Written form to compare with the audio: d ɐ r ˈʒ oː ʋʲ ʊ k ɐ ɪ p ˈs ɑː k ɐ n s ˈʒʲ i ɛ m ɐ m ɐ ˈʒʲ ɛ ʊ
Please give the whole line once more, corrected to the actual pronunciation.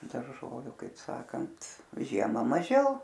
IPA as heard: d ɐ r ˈʒ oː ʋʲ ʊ k ɐ ɪ p ˈs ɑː k ɐ n t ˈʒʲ i ɛ m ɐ m ɐ ˈʒʲ ɛ ʊ